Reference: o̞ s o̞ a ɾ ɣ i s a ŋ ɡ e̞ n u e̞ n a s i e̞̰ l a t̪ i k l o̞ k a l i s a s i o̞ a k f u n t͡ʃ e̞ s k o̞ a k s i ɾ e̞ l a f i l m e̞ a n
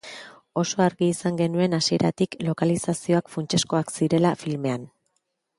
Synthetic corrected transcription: o̞ s o̞ a ɾ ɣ iː s a ŋ ɡ e̞ n u e̞ n a s i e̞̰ ɾ a t̪ i k l o̞ k a l i s a s i o̞ a k f u n t͡ʃ e̞ s k o̞ a k s i ɾ e̞ l a f i l m e̞ a n